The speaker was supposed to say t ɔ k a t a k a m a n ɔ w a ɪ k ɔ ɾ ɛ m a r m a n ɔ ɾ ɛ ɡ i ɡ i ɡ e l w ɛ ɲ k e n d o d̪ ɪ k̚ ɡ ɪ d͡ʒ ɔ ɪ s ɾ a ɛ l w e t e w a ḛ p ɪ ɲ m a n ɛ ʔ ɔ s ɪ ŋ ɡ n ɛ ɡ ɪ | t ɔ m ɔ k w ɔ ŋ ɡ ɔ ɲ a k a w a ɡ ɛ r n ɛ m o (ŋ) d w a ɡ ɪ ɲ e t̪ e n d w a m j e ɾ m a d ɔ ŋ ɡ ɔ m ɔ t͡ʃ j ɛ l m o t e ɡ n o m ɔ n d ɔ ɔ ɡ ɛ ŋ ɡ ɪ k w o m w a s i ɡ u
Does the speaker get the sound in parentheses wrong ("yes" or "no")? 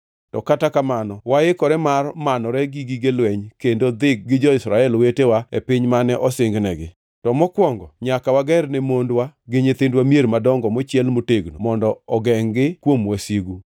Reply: yes